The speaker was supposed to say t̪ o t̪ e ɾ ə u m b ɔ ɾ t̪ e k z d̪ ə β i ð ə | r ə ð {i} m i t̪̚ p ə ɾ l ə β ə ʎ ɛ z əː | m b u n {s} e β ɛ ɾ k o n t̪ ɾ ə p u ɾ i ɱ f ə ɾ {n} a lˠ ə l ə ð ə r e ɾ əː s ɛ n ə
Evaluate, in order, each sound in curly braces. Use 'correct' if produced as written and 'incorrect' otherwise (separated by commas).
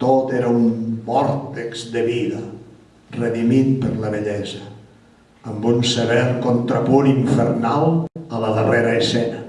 correct, correct, correct